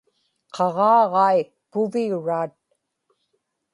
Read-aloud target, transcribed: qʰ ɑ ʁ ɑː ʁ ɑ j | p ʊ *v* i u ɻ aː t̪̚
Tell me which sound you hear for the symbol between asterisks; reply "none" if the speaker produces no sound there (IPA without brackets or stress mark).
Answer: v